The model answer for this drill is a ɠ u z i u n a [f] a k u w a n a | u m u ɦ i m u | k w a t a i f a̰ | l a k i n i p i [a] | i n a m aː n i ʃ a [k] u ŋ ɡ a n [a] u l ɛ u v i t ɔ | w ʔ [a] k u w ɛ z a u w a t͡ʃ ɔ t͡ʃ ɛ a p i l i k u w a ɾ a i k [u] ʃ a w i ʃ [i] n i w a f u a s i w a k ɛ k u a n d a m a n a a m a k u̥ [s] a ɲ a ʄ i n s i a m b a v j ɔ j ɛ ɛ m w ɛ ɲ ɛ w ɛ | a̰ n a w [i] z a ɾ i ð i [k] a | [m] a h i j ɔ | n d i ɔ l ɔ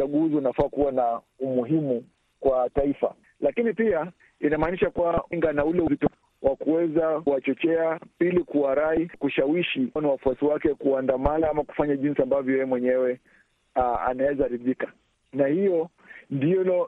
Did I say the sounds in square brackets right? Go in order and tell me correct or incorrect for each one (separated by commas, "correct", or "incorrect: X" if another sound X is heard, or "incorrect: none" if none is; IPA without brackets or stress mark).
correct, correct, correct, correct, correct, correct, correct, incorrect: f, incorrect: ɛ, correct, incorrect: n